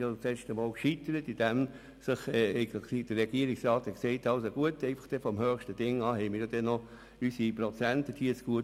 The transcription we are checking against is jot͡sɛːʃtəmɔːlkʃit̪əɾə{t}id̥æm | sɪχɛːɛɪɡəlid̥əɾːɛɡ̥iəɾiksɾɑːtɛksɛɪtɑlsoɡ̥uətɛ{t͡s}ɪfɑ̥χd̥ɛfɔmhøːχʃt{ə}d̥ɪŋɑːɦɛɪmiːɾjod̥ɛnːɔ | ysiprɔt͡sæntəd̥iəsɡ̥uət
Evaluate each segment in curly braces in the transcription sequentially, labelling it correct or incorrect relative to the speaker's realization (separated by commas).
correct, incorrect, correct